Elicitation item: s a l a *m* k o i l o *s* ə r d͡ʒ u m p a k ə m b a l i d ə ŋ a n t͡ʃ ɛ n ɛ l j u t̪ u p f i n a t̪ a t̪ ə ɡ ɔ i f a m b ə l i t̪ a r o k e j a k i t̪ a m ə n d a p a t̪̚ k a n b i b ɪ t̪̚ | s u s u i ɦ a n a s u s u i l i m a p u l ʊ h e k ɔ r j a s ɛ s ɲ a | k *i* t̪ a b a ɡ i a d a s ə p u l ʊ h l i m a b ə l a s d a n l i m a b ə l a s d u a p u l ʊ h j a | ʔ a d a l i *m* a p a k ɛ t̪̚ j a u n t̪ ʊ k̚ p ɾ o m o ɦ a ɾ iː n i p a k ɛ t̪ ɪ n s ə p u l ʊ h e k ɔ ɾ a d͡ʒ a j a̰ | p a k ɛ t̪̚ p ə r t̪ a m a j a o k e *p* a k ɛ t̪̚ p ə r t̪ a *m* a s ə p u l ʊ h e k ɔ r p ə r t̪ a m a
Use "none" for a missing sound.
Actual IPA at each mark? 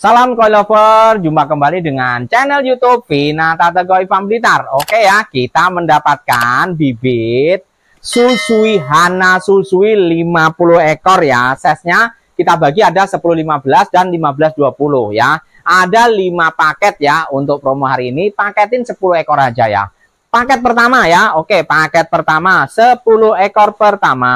m, f, i, m, p, m

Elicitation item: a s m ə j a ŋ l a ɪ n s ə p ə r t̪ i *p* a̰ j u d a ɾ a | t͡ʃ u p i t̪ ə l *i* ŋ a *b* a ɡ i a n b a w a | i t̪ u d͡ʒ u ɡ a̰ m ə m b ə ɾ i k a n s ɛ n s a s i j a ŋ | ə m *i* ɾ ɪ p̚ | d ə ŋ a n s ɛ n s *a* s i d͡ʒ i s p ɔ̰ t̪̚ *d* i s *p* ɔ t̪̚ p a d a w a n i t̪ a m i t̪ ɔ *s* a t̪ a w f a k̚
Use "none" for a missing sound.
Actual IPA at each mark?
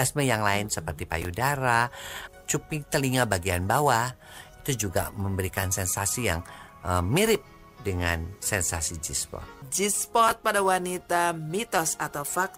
p, i, b, i, a, d͡ʒ, p, s

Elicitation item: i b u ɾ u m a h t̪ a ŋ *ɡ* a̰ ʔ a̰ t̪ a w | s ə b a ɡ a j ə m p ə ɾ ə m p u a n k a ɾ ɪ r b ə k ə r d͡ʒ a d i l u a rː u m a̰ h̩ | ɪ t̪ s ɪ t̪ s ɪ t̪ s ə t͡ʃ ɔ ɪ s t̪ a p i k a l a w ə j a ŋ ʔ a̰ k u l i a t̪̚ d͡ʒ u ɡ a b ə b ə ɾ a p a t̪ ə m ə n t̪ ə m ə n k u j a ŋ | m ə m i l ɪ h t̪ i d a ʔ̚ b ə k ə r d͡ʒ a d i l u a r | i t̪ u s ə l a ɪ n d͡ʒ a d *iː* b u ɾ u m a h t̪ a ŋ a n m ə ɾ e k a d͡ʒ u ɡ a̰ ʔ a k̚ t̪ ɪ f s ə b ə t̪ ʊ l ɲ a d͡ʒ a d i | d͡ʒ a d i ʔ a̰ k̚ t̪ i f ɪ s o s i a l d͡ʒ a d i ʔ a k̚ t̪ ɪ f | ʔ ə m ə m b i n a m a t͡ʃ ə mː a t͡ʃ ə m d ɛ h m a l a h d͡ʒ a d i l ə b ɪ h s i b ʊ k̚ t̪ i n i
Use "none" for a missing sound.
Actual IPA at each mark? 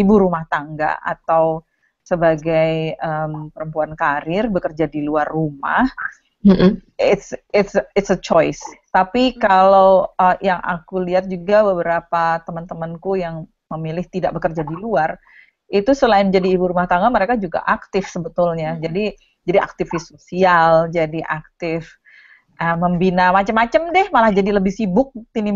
ɡ, iː

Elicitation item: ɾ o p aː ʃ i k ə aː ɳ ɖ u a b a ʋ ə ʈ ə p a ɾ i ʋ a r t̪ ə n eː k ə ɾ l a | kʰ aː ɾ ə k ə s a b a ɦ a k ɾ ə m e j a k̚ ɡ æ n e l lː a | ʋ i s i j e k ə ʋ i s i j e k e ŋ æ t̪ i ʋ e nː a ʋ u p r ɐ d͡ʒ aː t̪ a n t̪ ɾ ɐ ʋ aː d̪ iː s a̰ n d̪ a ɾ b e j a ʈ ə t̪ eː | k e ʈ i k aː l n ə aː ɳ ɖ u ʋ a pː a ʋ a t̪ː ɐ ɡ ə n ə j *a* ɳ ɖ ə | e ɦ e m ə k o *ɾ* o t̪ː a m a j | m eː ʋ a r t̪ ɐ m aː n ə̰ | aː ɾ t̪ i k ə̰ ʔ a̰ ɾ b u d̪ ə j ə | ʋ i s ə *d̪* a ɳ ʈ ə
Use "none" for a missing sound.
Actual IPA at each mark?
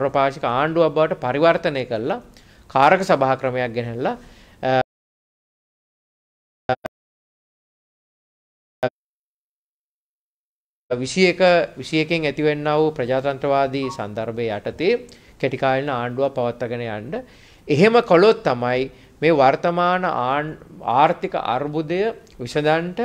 a, l, d̪

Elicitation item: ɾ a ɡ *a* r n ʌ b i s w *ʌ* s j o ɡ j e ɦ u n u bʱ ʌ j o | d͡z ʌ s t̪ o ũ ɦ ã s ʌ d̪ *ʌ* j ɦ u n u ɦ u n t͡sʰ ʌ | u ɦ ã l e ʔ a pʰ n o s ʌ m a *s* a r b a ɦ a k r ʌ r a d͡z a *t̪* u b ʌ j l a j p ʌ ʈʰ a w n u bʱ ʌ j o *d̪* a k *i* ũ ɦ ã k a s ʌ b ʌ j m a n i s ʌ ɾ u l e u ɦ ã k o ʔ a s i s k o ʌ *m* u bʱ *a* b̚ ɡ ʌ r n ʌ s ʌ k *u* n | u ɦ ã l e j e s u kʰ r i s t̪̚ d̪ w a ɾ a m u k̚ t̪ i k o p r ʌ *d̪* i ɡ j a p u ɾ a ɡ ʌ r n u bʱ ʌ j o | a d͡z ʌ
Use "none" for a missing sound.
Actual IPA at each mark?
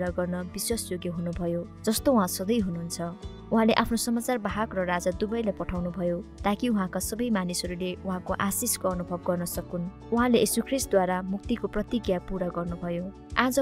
ʌ, a, ʌ, t͡s, d̪, t̪, i, n, ʌ, u, t̪

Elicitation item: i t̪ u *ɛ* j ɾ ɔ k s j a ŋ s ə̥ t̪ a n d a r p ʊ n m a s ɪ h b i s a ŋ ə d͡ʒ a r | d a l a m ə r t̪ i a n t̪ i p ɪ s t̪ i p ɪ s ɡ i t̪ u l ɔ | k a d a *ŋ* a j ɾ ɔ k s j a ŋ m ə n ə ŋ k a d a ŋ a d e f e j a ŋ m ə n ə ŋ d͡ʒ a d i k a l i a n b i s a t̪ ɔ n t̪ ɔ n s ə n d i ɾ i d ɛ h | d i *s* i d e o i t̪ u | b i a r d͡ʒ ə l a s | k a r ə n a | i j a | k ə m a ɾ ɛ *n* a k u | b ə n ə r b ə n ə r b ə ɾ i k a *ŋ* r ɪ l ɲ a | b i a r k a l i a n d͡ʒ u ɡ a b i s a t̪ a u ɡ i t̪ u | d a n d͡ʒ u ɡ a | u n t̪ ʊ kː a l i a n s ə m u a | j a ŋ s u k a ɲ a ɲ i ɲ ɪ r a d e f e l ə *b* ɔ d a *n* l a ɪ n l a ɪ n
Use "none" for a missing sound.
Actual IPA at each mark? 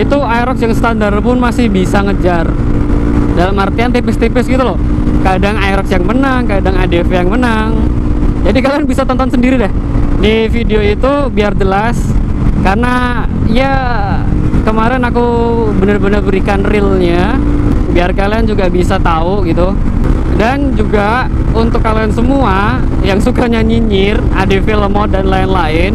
a, ŋ, f, n, n, m, n

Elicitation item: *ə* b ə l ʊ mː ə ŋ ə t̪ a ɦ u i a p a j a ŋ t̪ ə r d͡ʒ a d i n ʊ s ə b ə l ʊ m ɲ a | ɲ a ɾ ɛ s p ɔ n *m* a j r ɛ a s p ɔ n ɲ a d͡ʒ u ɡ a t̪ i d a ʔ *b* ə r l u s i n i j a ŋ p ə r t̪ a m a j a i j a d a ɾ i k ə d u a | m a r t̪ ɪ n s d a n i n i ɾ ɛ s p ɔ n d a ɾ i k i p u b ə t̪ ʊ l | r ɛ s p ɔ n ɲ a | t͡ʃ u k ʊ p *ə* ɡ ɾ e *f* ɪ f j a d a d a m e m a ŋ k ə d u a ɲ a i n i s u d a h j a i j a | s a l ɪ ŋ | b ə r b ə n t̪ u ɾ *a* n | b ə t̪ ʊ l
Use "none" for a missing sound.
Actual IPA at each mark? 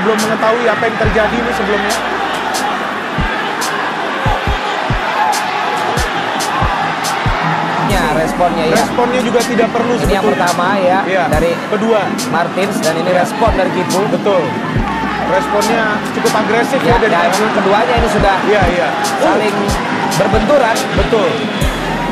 ə, ɲ, p, a, s, a

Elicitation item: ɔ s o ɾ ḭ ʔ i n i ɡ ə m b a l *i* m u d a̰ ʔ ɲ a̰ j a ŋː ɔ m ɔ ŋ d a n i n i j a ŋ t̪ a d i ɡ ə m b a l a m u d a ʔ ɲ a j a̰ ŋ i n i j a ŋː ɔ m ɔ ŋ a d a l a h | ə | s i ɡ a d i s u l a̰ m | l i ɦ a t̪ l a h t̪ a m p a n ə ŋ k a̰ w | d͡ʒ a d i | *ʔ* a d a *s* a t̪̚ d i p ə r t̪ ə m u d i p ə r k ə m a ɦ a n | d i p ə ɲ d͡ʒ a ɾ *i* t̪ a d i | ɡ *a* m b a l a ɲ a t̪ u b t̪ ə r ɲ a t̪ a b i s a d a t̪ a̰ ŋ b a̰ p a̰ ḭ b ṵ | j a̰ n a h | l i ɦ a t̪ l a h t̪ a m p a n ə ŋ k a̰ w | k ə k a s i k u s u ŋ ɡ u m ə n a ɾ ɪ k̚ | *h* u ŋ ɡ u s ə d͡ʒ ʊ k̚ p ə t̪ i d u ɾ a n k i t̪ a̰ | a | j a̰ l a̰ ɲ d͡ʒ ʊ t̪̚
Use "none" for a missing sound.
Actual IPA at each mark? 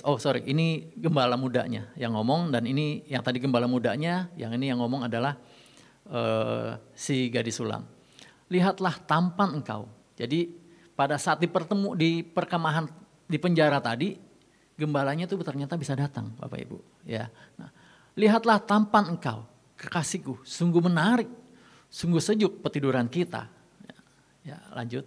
a, p, s, a, ə, s

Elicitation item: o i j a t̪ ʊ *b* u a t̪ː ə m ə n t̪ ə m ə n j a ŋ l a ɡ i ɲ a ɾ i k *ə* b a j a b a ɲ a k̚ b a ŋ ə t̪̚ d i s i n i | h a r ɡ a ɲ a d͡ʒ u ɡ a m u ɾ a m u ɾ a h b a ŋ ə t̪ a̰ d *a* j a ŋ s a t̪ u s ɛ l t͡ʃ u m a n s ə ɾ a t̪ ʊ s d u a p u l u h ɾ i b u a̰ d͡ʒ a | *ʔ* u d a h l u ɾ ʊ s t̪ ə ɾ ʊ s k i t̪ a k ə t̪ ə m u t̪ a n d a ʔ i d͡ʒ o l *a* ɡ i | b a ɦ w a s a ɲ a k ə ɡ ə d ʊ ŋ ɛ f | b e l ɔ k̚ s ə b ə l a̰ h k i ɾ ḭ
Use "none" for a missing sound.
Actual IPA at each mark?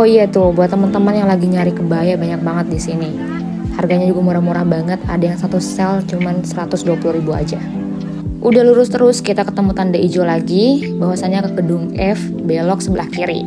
b, ə, a, ʔ, a

